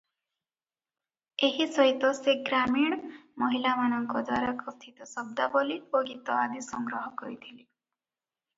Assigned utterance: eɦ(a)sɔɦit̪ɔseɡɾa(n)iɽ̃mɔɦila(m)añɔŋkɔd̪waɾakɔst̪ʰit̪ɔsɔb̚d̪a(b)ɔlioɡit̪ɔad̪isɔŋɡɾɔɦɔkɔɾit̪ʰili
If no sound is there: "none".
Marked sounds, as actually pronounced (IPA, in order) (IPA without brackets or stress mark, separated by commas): i, m, m, b